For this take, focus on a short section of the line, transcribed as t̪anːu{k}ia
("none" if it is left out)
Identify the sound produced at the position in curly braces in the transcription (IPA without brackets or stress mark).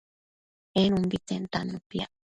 p